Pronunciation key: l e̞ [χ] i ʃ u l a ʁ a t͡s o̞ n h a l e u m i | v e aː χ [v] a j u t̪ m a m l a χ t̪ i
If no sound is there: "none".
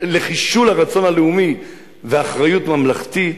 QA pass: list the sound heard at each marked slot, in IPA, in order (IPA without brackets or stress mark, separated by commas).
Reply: χ, ʁ